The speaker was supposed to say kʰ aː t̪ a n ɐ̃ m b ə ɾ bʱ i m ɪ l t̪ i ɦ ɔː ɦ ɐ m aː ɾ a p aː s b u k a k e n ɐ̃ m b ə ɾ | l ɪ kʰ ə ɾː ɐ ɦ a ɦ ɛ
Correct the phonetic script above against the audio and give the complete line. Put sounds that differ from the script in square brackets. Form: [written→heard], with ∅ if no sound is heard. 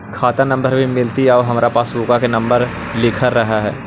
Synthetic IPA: kʰ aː t̪ a n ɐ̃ m b ə ɾ bʱ i m ɪ l t̪ i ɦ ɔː ɦ ɐ m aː ɾ a p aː s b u k a k e n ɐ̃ m b ə ɾ | l ɪ kʰ ə ɾː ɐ ɦ a ɦ [ɛ→ɛː]